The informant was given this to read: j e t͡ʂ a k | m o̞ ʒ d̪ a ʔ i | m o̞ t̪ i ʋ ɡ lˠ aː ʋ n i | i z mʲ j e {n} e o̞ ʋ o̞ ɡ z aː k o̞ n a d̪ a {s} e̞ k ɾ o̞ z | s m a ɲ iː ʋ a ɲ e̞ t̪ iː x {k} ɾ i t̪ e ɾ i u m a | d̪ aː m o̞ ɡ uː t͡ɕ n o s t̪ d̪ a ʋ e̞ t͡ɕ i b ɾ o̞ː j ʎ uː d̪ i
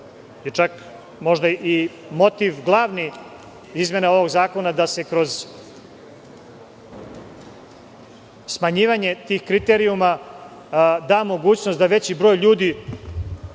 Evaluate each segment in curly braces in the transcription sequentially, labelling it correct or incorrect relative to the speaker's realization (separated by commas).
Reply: correct, correct, correct